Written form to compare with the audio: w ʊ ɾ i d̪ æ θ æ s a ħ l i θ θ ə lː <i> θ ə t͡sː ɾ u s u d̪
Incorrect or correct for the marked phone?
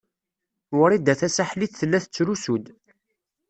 incorrect: æ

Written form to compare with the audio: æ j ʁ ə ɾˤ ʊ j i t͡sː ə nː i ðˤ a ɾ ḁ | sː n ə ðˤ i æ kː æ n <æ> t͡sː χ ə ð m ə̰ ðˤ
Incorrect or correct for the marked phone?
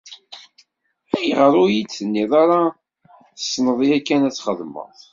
correct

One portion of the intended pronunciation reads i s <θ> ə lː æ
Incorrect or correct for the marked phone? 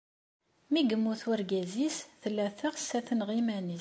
correct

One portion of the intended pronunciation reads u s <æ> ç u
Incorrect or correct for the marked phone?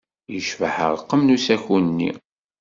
correct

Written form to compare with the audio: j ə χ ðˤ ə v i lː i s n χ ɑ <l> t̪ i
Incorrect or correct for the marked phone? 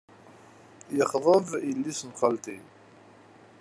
correct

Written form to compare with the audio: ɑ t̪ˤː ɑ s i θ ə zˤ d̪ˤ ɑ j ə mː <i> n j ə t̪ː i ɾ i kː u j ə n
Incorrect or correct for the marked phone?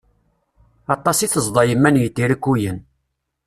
incorrect: æ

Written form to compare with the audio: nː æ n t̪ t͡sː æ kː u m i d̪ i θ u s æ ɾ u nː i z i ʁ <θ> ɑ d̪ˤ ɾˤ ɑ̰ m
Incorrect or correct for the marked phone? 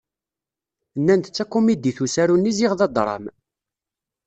incorrect: ð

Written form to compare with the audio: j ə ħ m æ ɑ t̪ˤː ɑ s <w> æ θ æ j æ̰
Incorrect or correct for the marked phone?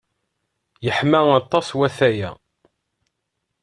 correct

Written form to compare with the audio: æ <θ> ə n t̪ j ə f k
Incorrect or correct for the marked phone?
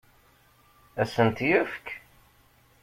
incorrect: s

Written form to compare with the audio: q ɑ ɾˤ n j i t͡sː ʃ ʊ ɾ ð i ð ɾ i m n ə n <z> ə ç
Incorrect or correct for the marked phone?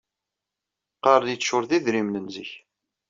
correct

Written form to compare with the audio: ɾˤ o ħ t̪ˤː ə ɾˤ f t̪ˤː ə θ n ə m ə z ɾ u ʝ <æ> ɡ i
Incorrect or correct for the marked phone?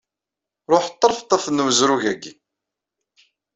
correct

